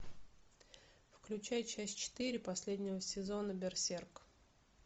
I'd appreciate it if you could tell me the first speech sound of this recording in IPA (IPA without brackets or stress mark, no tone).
f